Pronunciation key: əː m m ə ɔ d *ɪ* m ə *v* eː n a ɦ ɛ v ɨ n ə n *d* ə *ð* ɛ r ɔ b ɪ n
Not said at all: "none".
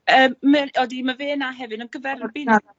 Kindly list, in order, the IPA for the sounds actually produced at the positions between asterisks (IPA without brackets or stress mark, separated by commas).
i, v, ɡ, v